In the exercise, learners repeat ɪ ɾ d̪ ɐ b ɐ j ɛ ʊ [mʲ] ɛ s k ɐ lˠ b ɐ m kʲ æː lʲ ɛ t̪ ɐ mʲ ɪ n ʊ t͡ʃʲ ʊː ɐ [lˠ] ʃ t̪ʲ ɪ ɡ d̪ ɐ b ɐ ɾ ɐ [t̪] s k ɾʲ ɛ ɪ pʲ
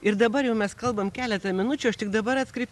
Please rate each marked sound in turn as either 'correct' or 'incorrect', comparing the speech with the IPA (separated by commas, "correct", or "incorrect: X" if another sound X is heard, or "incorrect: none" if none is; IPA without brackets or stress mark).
correct, incorrect: none, correct